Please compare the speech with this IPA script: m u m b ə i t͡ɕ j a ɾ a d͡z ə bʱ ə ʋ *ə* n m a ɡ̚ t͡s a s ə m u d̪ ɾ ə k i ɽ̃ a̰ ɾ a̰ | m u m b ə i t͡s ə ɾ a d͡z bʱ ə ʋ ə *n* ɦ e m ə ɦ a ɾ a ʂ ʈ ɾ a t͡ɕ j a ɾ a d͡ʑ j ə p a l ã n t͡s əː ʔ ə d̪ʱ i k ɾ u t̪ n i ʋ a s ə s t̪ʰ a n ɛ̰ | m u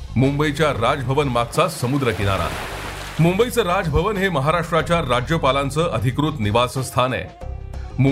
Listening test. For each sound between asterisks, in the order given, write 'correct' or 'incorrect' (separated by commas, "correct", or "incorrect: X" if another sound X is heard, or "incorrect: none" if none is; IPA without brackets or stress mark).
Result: correct, correct